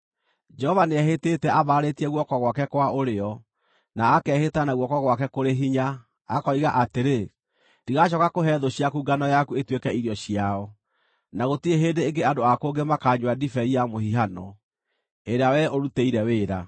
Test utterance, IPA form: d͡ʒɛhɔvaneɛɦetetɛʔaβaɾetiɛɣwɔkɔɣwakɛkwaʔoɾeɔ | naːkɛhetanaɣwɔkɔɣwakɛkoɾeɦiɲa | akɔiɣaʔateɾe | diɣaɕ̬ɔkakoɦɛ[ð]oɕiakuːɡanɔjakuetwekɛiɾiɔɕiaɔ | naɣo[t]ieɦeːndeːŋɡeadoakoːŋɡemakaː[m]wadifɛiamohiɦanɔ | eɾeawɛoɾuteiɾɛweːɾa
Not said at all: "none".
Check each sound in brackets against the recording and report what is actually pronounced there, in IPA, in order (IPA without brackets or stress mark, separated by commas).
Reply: ð, t, ɲ